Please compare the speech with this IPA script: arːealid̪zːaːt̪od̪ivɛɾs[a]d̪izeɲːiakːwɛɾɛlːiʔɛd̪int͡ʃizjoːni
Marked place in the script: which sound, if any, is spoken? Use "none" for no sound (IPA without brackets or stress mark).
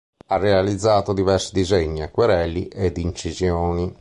i